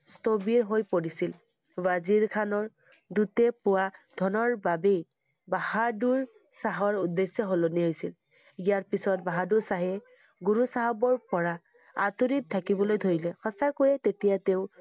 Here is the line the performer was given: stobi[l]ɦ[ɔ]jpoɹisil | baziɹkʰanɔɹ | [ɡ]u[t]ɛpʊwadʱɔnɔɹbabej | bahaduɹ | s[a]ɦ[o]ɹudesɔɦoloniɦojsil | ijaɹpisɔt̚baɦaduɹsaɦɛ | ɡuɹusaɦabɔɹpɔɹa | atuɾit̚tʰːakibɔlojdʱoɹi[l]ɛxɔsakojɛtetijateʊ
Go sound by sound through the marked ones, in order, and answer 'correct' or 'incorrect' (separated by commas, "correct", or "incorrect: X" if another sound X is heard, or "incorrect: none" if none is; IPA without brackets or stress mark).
incorrect: ɹ, incorrect: o, incorrect: d, correct, correct, incorrect: ɔ, correct